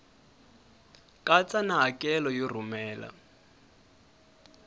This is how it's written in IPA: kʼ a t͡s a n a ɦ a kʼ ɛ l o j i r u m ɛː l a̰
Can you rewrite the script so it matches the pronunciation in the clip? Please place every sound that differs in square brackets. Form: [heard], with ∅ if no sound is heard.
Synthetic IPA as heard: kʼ a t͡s a n a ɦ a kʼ ɛ l [ɔ] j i r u m ɛː l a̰